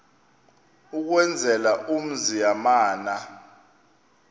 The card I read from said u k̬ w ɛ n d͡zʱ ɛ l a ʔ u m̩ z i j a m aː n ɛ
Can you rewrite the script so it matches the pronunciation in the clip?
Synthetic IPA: u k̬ w ɛ n d͡zʱ ɛ l a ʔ u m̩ z i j a m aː n a